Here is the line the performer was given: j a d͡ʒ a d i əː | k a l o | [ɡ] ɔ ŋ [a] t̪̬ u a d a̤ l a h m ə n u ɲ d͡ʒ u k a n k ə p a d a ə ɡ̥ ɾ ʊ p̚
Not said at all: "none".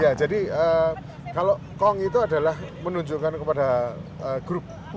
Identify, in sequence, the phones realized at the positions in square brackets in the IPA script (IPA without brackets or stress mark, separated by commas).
k, i